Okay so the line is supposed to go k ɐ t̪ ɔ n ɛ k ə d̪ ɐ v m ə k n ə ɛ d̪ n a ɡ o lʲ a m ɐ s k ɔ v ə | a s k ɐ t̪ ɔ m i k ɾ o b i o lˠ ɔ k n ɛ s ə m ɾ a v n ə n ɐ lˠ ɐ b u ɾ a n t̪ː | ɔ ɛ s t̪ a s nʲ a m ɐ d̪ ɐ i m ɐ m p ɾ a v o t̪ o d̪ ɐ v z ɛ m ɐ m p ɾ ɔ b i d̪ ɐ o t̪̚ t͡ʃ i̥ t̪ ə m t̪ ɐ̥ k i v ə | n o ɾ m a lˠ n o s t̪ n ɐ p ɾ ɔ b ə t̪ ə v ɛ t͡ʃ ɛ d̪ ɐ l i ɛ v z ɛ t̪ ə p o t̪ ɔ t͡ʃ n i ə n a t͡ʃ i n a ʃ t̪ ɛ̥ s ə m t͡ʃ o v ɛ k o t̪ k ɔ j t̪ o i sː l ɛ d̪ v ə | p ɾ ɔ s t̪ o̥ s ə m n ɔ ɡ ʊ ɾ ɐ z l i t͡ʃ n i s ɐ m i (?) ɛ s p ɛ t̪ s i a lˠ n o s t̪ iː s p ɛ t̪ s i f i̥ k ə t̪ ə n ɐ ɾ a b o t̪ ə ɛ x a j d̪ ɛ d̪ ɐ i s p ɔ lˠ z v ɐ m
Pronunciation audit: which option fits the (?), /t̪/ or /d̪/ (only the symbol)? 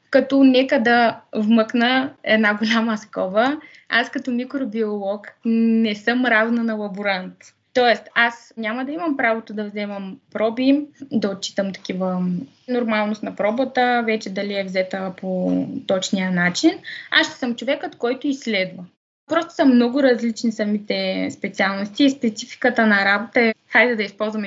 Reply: t̪